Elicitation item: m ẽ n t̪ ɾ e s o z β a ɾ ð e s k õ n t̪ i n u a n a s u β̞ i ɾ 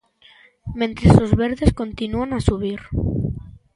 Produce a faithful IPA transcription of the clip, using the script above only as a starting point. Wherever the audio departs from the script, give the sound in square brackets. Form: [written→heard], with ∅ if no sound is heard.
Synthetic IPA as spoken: m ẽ n t̪ ɾ e s o z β [a→e] ɾ ð e s k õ n t̪ i n u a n a s u β̞ i ɾ